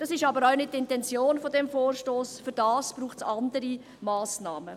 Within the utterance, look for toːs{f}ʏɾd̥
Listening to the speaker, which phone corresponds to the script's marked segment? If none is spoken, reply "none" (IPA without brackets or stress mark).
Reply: f